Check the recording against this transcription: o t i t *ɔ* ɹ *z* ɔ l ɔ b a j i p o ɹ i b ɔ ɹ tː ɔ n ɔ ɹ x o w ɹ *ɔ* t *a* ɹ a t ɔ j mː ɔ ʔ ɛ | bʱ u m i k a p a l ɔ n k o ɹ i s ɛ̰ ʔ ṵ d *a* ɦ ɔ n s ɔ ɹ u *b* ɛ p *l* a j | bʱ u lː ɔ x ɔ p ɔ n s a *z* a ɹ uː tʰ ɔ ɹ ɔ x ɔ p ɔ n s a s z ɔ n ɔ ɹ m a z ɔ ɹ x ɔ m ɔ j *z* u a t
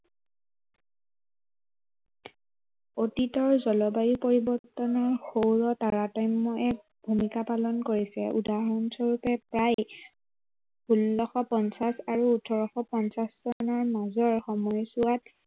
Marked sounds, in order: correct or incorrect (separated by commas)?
correct, correct, correct, correct, correct, incorrect, incorrect, incorrect, incorrect